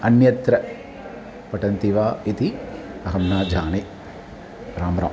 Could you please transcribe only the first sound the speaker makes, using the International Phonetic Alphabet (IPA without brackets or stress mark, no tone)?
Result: ɐ